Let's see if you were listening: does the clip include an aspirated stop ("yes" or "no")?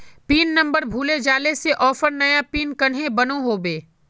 no